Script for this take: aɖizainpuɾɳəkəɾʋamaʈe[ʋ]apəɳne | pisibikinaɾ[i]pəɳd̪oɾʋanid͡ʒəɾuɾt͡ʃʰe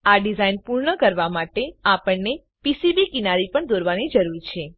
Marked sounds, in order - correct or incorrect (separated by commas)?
incorrect, correct